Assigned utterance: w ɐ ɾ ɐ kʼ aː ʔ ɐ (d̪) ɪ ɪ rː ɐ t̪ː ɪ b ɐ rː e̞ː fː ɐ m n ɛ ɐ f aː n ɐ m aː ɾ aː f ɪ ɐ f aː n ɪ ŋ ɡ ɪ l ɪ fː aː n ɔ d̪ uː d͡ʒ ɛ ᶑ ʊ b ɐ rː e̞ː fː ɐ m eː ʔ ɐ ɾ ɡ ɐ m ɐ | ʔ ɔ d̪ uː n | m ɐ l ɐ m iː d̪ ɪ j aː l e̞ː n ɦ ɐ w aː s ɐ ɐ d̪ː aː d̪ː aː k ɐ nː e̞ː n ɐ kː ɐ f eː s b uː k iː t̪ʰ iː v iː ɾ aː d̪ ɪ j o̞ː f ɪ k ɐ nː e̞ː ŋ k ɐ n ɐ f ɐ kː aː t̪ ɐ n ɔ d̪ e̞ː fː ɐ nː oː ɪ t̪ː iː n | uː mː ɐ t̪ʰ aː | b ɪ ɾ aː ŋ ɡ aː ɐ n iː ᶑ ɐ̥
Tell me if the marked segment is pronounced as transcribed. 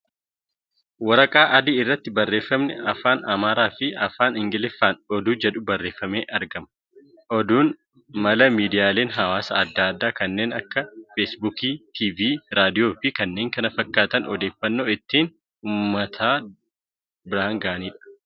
yes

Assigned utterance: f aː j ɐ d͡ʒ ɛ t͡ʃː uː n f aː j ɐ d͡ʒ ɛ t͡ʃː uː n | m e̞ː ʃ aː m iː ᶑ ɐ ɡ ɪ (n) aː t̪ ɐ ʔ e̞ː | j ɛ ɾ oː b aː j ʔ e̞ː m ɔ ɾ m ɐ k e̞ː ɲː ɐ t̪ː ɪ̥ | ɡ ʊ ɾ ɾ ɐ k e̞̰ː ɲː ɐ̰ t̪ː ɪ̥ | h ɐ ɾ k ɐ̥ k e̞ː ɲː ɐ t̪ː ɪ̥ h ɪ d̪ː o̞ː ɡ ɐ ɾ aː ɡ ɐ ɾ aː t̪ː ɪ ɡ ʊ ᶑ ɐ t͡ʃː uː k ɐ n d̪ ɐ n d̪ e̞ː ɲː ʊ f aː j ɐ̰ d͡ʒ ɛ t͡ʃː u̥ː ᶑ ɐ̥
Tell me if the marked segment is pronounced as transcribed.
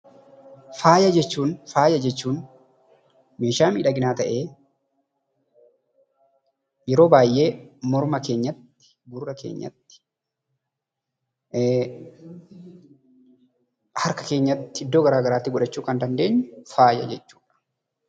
yes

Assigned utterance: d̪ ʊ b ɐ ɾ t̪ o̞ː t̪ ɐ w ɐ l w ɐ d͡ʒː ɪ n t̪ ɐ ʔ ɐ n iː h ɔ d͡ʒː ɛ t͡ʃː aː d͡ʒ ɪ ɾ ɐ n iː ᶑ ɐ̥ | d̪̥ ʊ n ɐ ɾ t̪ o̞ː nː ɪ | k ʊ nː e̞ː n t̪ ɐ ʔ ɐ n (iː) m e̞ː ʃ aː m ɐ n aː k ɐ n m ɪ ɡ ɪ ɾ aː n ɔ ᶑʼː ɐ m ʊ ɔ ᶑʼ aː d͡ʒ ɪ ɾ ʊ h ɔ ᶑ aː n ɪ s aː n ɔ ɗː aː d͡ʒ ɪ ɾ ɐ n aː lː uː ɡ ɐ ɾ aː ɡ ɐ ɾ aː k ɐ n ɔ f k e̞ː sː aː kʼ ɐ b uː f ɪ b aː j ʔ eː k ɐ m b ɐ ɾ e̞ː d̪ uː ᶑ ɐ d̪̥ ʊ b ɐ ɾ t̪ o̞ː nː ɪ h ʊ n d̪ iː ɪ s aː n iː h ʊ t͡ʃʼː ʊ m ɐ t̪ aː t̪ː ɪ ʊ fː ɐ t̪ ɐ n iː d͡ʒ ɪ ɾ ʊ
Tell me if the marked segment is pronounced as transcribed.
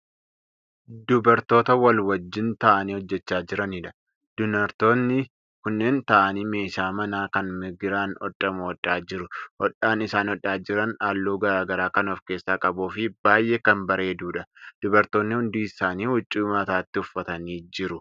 yes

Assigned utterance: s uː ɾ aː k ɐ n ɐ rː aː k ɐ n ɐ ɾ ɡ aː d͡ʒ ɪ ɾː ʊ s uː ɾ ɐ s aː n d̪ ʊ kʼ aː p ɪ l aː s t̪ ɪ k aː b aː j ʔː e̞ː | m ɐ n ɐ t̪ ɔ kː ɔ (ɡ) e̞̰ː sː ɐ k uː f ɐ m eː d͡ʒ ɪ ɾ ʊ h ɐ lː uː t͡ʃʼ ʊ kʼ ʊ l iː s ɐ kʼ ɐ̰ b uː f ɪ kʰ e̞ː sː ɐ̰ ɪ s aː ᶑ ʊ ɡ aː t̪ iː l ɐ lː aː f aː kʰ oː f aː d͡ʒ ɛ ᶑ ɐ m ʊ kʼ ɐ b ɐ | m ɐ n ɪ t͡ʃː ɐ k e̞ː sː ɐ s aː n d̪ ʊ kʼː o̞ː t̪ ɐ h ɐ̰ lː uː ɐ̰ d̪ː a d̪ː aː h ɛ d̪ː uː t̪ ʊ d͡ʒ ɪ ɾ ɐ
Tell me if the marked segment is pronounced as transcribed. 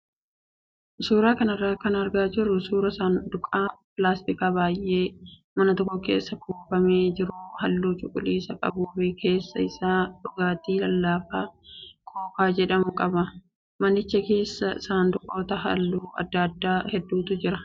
no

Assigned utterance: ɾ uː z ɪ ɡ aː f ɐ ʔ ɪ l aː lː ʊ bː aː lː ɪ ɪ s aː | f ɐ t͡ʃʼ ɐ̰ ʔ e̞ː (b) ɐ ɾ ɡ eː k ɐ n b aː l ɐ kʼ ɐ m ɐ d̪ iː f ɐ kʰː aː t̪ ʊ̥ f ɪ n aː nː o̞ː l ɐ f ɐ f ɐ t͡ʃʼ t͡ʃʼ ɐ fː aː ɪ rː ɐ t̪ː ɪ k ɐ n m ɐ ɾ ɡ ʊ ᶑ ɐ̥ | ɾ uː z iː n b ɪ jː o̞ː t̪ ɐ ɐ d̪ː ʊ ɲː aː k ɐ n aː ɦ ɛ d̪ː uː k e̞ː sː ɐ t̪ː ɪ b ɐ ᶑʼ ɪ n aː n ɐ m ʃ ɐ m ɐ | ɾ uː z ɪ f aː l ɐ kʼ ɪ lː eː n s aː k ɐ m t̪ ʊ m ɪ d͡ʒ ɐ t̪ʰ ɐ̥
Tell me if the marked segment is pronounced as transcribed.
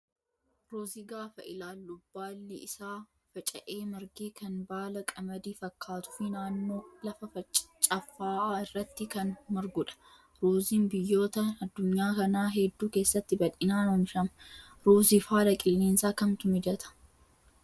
no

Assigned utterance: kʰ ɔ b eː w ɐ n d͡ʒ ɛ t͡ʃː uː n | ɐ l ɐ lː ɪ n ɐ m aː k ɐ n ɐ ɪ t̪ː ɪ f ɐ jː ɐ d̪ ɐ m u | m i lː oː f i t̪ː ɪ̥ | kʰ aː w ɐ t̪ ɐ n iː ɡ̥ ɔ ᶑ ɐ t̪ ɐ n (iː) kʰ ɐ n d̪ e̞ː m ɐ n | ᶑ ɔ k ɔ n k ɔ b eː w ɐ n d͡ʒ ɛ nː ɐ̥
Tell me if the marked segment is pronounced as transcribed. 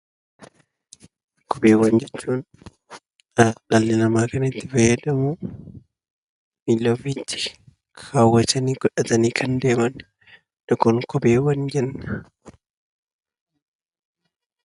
yes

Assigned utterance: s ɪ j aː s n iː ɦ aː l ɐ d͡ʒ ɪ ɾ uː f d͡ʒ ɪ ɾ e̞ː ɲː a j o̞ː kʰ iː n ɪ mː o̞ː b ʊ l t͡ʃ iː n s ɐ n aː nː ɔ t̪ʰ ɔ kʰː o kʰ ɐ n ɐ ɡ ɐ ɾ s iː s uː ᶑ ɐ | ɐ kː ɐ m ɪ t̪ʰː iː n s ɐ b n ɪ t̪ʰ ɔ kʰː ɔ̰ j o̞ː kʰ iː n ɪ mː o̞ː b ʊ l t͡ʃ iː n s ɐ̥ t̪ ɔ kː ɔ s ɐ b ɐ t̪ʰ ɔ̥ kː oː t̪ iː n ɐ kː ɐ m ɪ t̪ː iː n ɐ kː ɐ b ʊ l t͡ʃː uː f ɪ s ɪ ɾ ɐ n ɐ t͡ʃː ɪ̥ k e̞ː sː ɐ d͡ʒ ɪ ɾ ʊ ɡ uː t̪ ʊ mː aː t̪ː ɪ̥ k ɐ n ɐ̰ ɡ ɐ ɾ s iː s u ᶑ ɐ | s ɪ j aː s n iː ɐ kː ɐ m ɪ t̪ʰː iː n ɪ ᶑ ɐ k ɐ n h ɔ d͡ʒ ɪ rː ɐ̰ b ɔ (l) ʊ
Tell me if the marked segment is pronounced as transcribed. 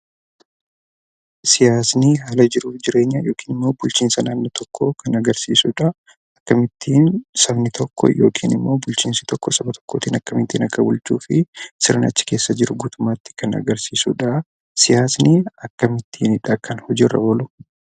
yes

